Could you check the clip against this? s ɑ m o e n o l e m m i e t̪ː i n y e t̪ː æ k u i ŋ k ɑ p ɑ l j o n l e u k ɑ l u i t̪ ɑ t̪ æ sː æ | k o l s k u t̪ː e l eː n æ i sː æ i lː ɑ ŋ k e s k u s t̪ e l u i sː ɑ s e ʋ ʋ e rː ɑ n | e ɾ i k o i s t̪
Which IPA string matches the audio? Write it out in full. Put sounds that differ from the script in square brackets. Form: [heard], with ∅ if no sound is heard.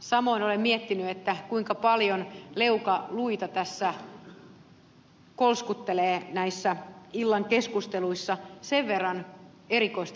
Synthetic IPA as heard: s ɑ m o [i] n o l e m m i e t̪ː i n y e t̪ː æ k u i ŋ k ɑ p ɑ l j o n l e u k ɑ l u i t̪ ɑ t̪ æ sː æ | k o l s k u t̪ː e l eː n æ i sː æ i lː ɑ ŋ k e s k u s t̪ e l u i sː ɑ s e ʋ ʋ e rː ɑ n | e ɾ i k o i s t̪